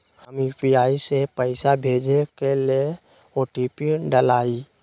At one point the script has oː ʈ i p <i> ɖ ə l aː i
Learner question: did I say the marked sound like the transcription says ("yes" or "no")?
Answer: yes